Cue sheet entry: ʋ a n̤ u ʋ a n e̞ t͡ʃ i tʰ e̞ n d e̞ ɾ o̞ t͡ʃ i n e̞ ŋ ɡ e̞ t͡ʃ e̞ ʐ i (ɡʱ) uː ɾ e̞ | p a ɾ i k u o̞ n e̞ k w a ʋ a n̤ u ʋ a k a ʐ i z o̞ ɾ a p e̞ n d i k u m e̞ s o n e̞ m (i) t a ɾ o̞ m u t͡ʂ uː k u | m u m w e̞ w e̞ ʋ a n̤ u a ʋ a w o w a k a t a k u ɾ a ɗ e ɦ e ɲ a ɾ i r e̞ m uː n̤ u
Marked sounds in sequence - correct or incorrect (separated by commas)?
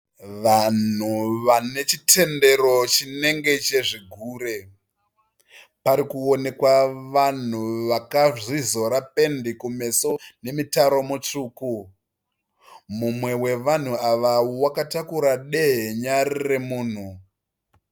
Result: correct, correct